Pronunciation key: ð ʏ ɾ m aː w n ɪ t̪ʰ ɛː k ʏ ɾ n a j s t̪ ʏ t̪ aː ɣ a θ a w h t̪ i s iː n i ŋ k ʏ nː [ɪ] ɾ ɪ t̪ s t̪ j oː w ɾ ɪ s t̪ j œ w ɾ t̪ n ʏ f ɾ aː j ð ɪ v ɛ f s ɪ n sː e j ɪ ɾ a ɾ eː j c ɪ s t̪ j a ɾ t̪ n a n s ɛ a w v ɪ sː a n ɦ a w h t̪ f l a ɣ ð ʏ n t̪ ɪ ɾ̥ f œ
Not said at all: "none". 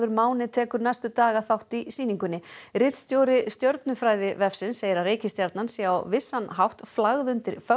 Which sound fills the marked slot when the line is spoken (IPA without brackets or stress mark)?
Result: ɪ